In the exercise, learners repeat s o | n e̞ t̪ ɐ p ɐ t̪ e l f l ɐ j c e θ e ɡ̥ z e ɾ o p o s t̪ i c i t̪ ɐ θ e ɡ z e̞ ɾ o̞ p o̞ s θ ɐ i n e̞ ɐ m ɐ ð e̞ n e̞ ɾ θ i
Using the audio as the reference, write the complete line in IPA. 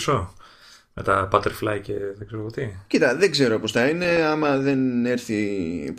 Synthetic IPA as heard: s o | m e̞ t̪ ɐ p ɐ t̪ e ɾ f l ɐ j c e ð e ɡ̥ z e ɾ o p o t̪ i c i t̪ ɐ ð e ɡ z e̞ ɾ o̞ p o̞ s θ ɐ i n e̞ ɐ m ɐ ð e̞ n e̞ ɾ θ i